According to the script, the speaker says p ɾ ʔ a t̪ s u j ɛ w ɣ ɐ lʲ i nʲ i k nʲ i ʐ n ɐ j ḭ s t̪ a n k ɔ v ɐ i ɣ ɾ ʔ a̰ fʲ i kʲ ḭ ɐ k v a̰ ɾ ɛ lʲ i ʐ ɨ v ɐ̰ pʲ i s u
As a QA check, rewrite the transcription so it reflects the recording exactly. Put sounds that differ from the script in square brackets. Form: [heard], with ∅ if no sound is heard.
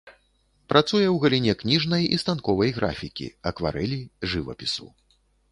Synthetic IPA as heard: p ɾ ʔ a t̪ s u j ɛ w ɣ ɐ lʲ i nʲ [ɛ] k nʲ i ʐ n ɐ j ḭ s t̪ a n k ɔ v ɐ [j] ɣ ɾ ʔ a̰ fʲ i kʲ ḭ ɐ k v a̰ ɾ ɛ lʲ i ʐ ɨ v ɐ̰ pʲ i s u